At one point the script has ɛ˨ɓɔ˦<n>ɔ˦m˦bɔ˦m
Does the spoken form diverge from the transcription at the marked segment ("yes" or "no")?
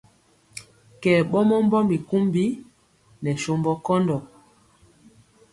yes